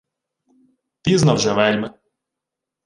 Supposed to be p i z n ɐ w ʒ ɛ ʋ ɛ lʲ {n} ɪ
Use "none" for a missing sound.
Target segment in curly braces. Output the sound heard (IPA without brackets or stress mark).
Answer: m